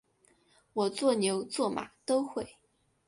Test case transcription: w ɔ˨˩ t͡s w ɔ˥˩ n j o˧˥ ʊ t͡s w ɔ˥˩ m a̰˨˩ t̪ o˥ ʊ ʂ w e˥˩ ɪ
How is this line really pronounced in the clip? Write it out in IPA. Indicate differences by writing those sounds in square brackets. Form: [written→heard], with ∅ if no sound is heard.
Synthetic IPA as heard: w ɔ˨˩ t͡s w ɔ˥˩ n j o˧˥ ʊ t͡s w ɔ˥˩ m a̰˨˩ t̪ o˥ ʊ [ʂ→x] w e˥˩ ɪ